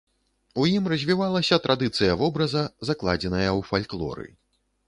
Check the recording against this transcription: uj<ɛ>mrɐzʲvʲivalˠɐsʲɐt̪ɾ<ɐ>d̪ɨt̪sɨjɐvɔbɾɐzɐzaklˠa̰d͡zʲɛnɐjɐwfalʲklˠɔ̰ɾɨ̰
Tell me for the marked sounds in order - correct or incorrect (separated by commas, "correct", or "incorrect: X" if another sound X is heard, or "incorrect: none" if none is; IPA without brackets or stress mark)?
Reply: incorrect: i, incorrect: a